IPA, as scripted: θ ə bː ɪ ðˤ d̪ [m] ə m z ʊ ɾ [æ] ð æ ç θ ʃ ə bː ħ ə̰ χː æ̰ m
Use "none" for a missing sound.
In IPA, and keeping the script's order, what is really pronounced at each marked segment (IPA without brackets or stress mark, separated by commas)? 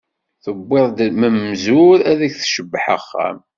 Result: m, æ